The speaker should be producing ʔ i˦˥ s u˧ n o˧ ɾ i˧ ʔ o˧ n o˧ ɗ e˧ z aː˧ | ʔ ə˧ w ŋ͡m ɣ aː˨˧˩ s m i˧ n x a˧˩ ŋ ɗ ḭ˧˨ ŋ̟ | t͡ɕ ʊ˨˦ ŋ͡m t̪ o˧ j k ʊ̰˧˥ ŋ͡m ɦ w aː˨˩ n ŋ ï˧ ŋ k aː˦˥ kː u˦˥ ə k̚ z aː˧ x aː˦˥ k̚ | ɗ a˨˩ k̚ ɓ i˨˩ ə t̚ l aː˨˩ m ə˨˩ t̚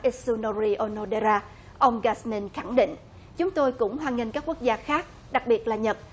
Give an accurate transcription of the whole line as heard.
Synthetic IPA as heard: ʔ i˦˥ s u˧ n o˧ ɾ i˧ ʔ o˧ n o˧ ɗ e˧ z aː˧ | ʔ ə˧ w ŋ͡m ɣ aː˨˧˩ s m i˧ n x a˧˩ ŋ ɗ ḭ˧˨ ŋ̟ | t͡ɕ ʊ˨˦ ŋ͡m t̪ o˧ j k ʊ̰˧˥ ŋ͡m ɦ w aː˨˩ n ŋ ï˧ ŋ k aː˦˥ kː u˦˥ ə k̚ z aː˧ x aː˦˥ k̚ | ɗ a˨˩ k̚ ɓ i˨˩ ə t̚ l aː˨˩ ɲ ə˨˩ t̚